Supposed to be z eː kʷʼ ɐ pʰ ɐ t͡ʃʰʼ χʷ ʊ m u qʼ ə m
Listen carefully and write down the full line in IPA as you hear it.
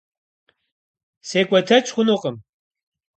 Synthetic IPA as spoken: s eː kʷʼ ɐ tʰ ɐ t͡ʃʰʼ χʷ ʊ n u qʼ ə m